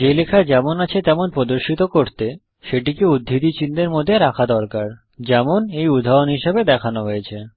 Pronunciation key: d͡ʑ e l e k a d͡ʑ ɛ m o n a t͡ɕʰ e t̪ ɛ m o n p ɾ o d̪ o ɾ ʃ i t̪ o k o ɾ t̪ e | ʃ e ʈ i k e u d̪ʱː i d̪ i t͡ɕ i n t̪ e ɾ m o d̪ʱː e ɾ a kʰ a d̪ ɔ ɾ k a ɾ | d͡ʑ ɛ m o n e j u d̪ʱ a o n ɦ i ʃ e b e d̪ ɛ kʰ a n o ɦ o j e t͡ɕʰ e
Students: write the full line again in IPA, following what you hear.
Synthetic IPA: d͡ʑ e l e kʰ a d͡ʑ ɛ m o n a t͡ɕʰ e t̪ ɛ m o n p ɾ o d̪ o ɾ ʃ i t̪ o k o ɾ t̪ e | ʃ e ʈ i k e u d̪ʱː i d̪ i t͡ɕ i n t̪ e ɾ m o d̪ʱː e ɾ a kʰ a d̪ ɔ ɾ k a ɾ | d͡ʑ ɛ m o n e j u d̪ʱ a o n ɦ i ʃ e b e d̪ ɛ kʰ a n o ɦ o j e t͡ɕʰ e